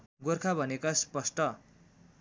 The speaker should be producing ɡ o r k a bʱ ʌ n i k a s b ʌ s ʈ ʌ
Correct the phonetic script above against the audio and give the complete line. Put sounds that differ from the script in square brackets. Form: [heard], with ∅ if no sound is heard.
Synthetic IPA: ɡ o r [kʰ] a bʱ ʌ n [e] k a s [p] ʌ s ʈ ʌ